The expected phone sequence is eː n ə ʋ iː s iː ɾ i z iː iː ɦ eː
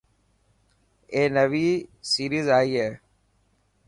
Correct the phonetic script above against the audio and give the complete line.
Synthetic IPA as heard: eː n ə ʋ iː s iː ɾ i z aː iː ɦ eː